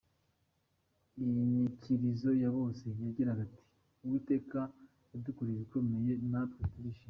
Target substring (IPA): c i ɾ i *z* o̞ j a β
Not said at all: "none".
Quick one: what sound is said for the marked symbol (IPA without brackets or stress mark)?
z